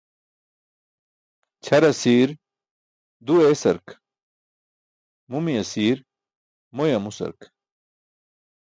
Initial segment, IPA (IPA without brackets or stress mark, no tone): t͡ɕʰ